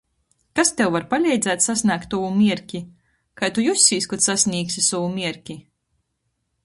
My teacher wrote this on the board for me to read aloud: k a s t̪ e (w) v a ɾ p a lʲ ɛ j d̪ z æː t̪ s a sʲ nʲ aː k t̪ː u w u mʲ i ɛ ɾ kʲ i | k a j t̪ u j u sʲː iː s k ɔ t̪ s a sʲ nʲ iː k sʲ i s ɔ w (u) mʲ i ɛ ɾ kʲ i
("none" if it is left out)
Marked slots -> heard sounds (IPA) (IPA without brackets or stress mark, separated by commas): w, u